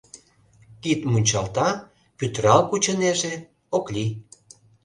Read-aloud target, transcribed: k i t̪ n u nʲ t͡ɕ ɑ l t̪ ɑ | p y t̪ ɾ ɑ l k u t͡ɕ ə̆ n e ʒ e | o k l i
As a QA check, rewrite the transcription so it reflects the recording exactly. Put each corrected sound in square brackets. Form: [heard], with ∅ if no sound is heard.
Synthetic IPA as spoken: k i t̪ [m] u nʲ t͡ɕ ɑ l t̪ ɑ | p y t̪ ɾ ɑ l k u t͡ɕ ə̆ n e ʒ e | o k l i